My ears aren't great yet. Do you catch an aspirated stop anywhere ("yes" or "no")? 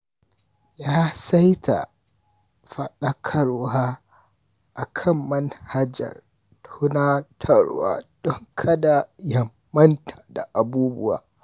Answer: yes